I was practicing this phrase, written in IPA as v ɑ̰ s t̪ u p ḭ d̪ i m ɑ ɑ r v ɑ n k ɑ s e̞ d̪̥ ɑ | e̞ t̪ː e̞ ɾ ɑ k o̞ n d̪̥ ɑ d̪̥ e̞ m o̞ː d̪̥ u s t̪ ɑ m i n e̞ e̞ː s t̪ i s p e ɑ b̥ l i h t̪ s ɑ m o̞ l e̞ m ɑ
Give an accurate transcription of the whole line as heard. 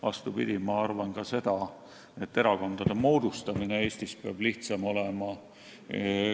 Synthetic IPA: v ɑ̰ s t̪ u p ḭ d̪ i m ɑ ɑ r v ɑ n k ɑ s e̞ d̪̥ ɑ | e̞ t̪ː e̞ ɾ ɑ k o̞ n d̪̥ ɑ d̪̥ e̞ m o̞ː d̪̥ u s t̪ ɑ m i n e̞ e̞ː s t̪ i s p e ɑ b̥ l i h t̪ s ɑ m o̞ l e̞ m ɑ